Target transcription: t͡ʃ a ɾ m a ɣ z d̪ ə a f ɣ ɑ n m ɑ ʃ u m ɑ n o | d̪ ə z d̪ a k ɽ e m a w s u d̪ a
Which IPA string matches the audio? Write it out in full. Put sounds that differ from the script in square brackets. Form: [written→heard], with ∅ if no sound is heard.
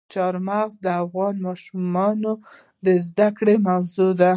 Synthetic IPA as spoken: t͡ʃ [a→ɑ] ɾ m a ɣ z d̪ ə a f ɣ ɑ n m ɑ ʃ u m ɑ n o | d̪ ə z d̪ a k ɽ e m a w [s→z] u d̪ a